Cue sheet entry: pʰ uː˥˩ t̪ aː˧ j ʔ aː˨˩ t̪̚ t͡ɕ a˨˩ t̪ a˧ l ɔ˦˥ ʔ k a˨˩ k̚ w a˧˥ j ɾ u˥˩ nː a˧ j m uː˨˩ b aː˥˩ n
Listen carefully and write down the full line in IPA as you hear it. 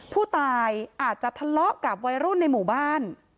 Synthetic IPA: pʰ uː˥˩ t̪ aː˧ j ʔ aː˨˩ t̪̚ t͡ɕ a˨˩ t̪ʰ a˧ l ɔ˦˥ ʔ k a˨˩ p̚ w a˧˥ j ɾ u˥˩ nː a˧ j m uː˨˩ b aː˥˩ n